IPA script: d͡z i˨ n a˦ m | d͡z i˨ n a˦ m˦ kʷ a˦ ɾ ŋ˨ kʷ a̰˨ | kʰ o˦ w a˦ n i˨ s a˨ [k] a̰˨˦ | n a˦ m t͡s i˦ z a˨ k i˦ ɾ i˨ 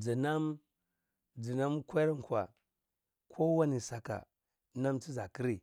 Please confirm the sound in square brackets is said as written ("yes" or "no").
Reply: yes